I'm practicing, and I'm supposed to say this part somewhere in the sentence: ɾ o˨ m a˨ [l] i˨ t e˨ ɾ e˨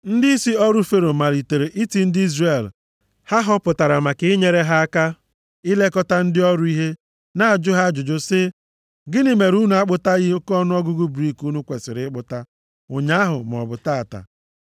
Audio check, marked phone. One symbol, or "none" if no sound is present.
ɾ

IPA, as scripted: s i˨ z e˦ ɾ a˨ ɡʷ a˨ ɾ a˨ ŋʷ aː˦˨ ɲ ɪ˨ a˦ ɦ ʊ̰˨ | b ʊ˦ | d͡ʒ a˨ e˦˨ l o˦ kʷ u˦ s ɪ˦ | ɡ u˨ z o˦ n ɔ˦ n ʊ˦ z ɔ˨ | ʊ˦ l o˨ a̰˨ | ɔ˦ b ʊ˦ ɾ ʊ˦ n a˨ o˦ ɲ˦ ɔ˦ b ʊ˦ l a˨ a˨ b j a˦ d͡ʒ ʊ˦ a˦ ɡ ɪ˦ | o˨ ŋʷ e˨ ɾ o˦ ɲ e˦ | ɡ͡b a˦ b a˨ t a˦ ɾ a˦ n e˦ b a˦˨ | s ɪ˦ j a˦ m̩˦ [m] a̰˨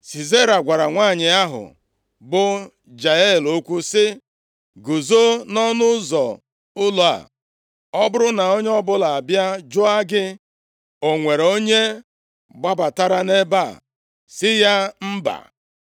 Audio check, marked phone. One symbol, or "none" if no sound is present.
b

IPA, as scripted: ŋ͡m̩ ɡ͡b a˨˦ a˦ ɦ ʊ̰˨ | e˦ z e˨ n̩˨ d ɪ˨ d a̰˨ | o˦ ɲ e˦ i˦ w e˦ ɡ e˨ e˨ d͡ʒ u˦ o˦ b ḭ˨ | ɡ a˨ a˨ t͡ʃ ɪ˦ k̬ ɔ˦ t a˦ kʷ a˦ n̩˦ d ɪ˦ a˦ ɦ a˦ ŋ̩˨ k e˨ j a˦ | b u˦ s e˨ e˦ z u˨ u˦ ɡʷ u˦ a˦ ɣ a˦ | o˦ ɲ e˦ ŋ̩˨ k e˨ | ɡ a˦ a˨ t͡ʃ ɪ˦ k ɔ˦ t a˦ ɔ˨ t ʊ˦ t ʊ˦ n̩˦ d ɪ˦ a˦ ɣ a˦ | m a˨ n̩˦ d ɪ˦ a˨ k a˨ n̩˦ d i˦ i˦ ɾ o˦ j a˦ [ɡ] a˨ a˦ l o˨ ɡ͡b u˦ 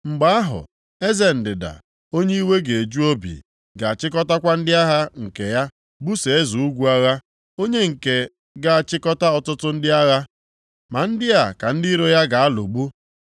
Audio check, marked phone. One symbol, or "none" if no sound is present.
ɡ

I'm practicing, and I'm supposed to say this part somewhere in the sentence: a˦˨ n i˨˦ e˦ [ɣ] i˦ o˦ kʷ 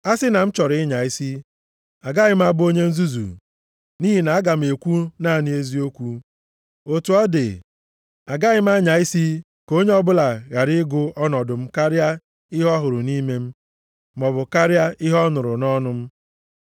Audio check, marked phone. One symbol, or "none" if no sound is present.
z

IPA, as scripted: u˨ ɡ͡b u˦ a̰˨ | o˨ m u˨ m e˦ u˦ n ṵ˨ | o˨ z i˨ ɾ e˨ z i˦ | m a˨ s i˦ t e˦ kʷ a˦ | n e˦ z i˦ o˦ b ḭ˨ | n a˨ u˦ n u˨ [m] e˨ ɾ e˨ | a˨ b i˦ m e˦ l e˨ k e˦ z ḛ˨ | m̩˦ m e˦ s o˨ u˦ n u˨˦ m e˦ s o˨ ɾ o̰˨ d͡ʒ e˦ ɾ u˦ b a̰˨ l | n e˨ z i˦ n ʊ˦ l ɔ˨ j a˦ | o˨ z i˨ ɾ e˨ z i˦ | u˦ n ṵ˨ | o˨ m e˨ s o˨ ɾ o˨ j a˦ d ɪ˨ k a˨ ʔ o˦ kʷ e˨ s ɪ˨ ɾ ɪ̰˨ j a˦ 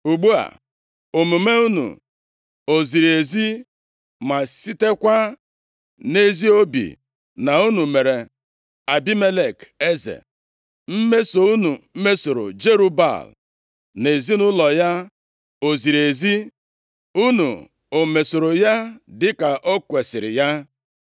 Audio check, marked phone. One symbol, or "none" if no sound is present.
m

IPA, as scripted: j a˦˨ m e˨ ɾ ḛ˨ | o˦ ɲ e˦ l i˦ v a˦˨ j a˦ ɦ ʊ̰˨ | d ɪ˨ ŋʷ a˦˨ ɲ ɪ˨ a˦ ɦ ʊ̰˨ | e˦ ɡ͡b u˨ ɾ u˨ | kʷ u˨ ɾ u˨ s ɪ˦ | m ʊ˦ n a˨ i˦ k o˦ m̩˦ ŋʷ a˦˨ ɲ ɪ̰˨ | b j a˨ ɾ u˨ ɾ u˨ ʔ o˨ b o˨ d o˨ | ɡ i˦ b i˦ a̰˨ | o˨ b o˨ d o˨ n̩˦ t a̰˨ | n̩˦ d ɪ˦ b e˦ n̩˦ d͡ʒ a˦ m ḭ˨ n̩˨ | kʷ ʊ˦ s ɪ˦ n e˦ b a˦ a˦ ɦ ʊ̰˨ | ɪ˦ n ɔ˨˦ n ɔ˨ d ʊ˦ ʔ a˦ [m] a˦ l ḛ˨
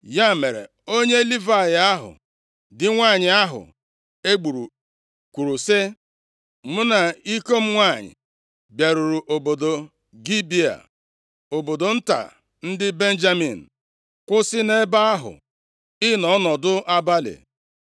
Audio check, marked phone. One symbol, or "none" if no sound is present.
b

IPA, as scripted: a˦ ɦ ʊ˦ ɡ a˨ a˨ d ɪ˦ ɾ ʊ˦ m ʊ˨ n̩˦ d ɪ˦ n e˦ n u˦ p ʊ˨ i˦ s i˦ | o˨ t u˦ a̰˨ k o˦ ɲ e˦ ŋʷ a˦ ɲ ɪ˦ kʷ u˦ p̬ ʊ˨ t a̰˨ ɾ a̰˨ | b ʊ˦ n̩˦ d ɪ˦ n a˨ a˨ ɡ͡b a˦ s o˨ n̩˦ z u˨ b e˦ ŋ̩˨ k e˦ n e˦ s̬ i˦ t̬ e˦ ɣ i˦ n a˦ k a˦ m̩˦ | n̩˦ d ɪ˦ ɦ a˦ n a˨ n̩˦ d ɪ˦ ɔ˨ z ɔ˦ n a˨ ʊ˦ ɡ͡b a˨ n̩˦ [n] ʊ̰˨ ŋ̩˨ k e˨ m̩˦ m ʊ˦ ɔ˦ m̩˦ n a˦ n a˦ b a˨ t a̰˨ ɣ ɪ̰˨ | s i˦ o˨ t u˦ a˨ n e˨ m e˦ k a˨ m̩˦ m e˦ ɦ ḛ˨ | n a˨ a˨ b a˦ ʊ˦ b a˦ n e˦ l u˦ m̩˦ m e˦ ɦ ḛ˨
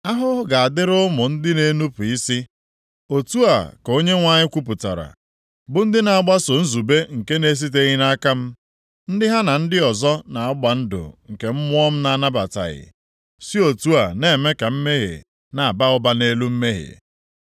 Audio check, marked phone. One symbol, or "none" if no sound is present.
d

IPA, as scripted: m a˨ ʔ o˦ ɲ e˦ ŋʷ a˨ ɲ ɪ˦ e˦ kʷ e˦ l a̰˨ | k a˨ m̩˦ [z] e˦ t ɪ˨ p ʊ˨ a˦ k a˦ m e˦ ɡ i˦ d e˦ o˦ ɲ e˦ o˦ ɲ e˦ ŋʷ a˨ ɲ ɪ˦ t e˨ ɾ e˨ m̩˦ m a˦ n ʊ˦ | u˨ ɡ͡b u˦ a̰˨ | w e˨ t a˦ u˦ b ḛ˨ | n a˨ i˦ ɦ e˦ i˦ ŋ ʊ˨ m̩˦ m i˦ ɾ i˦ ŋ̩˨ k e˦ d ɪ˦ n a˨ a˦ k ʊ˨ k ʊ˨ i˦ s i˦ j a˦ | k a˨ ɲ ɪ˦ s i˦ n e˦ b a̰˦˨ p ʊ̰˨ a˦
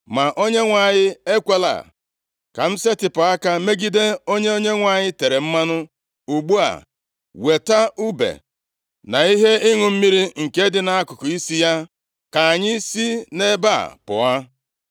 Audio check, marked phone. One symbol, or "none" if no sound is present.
s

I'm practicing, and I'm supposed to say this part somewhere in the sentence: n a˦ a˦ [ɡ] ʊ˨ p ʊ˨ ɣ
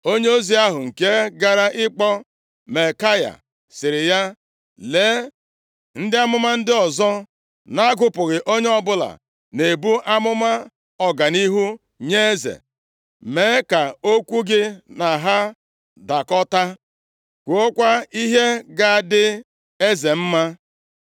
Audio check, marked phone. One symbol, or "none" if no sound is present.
ɡ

